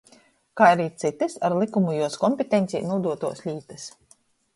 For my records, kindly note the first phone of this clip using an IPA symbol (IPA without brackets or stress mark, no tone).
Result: k